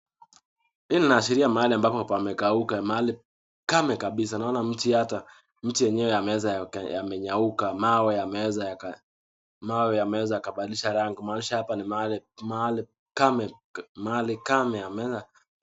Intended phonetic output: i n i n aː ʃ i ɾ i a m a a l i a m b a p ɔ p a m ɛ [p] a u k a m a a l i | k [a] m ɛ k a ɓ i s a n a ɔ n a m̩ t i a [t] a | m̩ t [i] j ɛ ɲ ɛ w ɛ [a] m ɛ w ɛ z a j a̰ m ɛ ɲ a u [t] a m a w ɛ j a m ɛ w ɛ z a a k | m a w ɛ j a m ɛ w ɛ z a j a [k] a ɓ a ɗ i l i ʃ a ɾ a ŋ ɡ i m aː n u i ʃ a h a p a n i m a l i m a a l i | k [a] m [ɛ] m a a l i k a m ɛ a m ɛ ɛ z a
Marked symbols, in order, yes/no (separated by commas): no, yes, yes, yes, yes, no, yes, yes, yes